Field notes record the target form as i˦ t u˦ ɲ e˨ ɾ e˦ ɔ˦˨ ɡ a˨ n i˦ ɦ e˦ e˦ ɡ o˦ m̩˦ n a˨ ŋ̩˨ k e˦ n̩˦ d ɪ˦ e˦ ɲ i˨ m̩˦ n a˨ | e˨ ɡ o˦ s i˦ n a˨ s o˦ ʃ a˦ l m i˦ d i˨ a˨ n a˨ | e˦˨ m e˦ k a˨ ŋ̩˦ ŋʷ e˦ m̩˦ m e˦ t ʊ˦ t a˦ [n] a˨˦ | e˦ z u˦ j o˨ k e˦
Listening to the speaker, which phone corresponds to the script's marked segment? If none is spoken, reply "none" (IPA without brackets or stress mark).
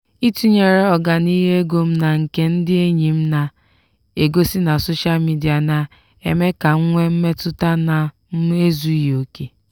n